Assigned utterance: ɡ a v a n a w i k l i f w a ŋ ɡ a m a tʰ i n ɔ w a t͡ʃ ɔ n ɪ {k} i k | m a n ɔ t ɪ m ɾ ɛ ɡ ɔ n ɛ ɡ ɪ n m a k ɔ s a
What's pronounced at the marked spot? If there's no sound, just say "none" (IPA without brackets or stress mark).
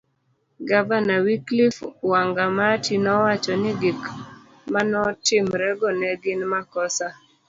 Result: ɡ